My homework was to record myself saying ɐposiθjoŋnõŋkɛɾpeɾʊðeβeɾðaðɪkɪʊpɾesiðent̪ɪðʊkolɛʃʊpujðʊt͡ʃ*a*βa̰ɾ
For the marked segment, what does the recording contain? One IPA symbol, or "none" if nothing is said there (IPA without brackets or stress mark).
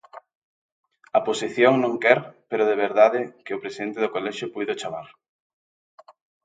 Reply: a